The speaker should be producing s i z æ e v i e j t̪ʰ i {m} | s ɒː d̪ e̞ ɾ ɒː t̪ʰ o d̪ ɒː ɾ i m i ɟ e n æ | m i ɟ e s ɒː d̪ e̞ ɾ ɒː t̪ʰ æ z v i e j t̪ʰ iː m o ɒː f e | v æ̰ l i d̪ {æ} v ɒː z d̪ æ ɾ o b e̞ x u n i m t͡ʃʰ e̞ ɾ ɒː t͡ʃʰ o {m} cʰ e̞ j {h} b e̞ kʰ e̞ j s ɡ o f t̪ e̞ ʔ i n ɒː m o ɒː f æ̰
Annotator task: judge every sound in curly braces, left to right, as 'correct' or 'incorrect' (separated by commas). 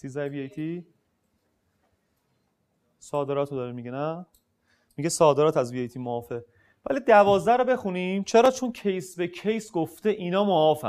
incorrect, correct, incorrect, incorrect